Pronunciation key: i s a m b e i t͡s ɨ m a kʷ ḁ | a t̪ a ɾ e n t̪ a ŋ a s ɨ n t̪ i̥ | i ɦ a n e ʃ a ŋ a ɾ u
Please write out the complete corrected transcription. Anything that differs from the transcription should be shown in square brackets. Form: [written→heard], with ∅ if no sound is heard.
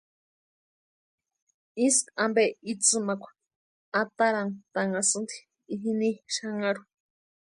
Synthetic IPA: i s a m b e i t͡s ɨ m a kʷ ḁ | a t̪ a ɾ [e→a] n t̪ a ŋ a s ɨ n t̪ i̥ | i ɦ [a→i] n [e→i] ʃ a ŋ a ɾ u